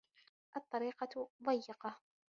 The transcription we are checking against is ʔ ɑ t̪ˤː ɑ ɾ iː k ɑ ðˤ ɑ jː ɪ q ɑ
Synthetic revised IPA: ʔ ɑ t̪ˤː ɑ ɾ iː q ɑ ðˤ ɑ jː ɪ q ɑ